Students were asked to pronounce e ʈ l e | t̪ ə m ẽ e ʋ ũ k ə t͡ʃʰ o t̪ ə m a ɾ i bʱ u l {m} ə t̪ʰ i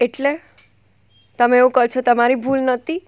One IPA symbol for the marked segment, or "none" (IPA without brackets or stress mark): n